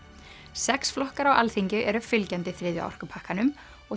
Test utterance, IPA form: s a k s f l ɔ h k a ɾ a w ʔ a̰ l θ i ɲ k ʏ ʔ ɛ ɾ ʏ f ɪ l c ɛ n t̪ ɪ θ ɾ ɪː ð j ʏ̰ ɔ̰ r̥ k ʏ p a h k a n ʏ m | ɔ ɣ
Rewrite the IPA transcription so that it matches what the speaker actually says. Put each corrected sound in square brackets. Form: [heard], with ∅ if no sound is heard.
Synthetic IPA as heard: s [ɛ] k s f l ɔ h k a ɾ a w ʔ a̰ l θ i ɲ [c] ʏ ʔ ɛ ɾ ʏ f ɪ l c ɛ n t̪ ɪ θ ɾ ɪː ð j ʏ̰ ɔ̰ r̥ k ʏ [pʰ] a h k a n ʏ m | ɔ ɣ